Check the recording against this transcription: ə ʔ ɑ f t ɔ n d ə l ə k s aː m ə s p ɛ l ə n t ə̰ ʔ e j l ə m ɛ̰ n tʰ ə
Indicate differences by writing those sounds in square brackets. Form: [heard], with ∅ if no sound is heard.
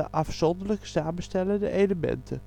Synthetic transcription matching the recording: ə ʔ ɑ f [s] ɔ n d ə l ə k s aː m ə s [t] ɛ l ə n [d] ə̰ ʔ e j l ə m ɛ̰ n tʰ ə

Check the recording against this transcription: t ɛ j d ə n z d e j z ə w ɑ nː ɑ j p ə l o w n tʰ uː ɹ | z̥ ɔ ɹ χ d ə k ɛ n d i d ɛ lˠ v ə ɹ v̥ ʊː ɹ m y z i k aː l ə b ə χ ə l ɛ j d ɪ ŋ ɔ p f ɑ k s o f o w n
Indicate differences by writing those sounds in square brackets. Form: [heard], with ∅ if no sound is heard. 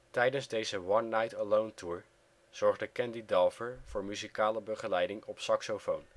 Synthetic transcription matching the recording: t ɛ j d ə n z d e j z ə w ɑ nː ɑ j [t] ə l o w n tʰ uː ɹ | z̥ ɔ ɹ χ d ə k ɛ n d i d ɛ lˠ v ə ɹ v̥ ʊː ɹ m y z i k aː l ə b ə χ ə l ɛ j d ɪ ŋ ɔ p [s] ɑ k s o f o w n

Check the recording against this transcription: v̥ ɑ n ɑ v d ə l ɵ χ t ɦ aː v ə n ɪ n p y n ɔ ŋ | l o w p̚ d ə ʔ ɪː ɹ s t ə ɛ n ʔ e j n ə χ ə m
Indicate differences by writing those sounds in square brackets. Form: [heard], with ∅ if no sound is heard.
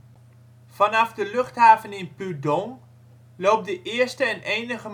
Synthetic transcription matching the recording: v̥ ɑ n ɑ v d ə l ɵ χ t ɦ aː v ə n ɪ n p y [d] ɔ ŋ | l o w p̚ d ə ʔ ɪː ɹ s t ə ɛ n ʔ e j n ə χ ə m

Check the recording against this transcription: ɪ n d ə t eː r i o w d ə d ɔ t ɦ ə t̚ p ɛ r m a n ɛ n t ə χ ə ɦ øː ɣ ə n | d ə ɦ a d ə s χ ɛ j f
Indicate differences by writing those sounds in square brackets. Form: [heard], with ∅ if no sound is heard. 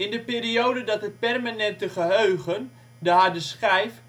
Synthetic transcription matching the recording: ɪ n d ə [p] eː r i o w d ə d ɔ t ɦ ə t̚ p ɛ r m a n ɛ n t ə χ ə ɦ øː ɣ ə n | d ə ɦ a d ə s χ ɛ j f

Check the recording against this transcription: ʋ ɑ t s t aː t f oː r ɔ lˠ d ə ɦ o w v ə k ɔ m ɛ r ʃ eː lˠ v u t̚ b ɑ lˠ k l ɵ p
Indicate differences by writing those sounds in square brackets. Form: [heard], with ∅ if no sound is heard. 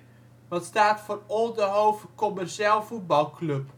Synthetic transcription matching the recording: ʋ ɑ t s t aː t f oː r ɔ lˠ d ə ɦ o w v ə k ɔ m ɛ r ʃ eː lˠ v u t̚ b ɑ lˠ k l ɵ p

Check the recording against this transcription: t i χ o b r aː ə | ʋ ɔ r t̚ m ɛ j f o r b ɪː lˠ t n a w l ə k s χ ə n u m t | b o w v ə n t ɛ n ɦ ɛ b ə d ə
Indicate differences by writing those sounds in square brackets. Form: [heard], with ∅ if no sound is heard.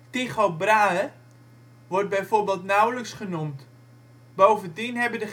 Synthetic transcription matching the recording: t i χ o b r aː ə | ʋ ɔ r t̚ [b] ɛ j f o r b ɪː lˠ t n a w l ə k s χ ə n u m t | b o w v ə n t [i] n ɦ ɛ b ə d ə

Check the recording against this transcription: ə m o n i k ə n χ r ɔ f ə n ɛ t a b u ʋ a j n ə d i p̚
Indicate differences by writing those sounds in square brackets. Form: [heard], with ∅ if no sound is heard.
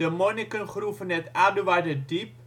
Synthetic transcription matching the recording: ə m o n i k ə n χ r [u] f ə n ɛ t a [d] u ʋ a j [d] ə d i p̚

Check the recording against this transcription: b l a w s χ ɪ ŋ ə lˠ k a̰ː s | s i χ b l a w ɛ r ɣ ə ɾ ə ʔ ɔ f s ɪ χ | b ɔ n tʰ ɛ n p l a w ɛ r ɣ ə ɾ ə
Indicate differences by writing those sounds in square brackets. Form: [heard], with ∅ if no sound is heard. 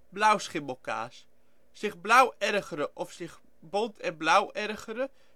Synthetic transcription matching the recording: b l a w s χ ɪ [m] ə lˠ k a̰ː s | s [ɪ] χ b l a w ɛ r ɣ ə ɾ ə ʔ ɔ f s ɪ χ | b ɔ n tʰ ɛ n [b] l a w ɛ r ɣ ə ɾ ə

